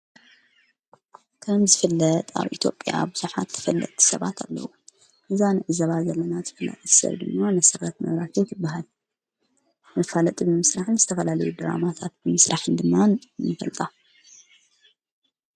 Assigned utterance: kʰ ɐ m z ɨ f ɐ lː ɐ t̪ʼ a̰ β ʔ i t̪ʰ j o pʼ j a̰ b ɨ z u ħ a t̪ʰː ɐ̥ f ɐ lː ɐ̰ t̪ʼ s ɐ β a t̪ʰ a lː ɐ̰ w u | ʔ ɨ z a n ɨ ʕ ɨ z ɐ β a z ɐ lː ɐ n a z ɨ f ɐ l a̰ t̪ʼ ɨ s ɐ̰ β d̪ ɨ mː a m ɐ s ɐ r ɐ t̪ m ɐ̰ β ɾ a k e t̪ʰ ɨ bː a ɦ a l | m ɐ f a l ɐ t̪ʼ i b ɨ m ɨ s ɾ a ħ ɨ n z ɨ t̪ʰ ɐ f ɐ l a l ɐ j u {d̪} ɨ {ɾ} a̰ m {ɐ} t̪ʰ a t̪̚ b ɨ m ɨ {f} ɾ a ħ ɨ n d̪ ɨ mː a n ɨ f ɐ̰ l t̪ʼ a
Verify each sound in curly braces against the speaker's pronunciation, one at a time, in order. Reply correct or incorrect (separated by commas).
correct, correct, incorrect, incorrect